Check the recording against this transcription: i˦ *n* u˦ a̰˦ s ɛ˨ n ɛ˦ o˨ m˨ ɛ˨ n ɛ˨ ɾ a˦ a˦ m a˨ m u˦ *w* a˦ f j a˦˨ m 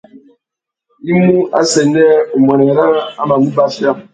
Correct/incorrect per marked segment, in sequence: incorrect: m, incorrect: b

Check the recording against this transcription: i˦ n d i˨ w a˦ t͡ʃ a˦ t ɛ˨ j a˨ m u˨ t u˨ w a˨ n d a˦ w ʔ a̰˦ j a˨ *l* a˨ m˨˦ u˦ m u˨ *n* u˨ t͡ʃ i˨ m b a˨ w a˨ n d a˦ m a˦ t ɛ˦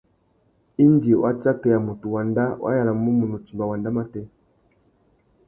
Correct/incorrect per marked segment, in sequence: correct, correct

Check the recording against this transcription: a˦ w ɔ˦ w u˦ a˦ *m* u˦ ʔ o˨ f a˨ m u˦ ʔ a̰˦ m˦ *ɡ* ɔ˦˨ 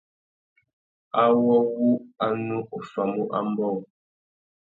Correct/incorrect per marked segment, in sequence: incorrect: n, incorrect: b

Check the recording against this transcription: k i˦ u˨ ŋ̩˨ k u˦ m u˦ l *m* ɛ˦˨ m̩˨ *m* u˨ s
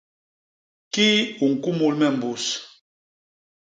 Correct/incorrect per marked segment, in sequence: correct, incorrect: b

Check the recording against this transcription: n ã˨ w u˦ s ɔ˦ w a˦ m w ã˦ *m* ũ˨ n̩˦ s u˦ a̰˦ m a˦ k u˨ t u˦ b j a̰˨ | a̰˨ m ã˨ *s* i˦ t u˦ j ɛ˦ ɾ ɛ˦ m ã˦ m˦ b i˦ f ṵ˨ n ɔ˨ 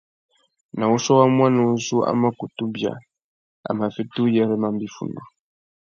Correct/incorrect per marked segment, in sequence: incorrect: n, incorrect: f

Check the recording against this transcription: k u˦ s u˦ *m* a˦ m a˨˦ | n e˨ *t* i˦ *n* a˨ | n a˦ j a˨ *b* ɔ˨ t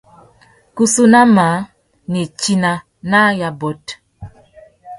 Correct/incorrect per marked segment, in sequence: incorrect: n, incorrect: t͡ʃ, correct, correct

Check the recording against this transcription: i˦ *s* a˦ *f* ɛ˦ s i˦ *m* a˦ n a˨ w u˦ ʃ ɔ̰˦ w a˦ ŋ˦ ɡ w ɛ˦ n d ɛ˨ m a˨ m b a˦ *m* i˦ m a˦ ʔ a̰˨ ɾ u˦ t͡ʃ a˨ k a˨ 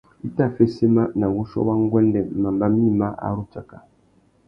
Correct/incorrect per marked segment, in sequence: incorrect: t, correct, correct, correct

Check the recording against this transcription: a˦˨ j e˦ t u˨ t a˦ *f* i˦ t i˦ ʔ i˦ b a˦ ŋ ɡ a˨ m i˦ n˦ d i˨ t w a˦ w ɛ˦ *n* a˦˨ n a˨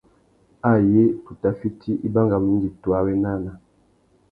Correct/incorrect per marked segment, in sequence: correct, correct

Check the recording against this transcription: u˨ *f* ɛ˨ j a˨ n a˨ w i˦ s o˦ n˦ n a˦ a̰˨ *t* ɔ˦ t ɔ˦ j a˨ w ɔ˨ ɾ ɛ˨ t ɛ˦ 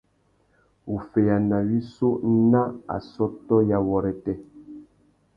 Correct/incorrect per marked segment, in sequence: correct, incorrect: s

